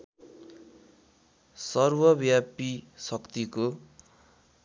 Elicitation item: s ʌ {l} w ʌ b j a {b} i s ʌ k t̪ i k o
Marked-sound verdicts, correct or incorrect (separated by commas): incorrect, incorrect